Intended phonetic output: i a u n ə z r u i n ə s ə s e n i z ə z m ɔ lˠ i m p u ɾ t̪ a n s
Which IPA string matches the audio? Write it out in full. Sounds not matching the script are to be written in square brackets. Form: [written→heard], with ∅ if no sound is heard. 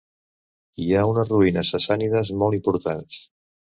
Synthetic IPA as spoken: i a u n ə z r u i n ə s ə s [e→a] n i [z→ð] ə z m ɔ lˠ i m p u ɾ t̪ a n s